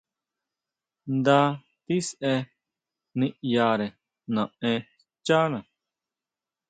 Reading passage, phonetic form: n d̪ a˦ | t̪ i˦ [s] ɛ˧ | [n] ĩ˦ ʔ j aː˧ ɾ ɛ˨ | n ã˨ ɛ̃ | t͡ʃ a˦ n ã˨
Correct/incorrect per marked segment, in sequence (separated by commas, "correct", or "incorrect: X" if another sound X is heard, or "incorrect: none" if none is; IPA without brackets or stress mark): correct, correct